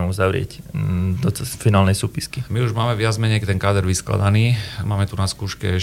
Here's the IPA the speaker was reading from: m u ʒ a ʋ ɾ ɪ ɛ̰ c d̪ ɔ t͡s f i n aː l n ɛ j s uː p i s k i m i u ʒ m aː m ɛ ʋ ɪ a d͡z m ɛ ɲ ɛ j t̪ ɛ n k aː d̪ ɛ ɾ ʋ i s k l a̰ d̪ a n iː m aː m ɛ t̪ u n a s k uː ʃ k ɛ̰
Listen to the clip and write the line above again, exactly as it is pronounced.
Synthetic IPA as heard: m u z a ʋ ɾ ɪ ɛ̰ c d̪ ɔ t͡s f i n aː l n ɛ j s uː p i s k i m i u ʒ m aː m ɛ ʋ ɪ a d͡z m ɛ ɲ ɛ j t̪ ɛ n k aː d̪ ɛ ɾ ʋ i s k l a̰ d̪ a n iː m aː m ɛ t̪ u n a s k uː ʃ k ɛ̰